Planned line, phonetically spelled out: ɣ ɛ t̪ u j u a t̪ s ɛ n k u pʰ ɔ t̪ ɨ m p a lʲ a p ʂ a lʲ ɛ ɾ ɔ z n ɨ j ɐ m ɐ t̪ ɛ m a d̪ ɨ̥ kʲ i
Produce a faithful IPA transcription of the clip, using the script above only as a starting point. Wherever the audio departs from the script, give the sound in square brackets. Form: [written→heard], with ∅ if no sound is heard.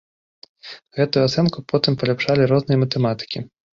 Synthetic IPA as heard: ɣ ɛ t̪ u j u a t̪ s ɛ n k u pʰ ɔ t̪ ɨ m p [a→ɐ] lʲ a p ʂ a lʲ [ɛ→i] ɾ ɔ z n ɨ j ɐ m ɐ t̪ ɛ m a [d̪→t̪] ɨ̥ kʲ i